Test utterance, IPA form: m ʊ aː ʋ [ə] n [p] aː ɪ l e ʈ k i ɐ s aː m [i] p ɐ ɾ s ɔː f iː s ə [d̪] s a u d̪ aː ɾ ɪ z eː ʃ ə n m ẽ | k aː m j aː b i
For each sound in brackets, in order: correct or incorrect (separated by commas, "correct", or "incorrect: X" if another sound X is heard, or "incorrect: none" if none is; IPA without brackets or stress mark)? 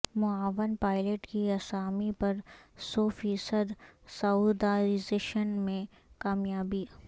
correct, correct, correct, correct